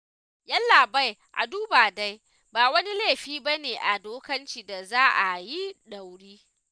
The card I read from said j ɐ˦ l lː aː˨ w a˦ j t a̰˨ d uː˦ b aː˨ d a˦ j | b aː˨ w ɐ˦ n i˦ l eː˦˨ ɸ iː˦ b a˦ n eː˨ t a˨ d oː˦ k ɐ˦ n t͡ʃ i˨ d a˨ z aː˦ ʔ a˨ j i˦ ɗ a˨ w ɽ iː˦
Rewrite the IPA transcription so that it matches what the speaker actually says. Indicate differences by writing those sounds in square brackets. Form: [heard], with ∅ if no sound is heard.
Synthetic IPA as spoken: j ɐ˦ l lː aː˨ [b] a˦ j [ʔ] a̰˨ d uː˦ b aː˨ d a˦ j | b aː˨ w ɐ˦ n i˦ l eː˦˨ ɸ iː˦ b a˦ n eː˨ [ʔ] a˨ d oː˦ k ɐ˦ n t͡ʃ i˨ d a˨ z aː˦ ʔ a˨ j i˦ ɗ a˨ w ɽ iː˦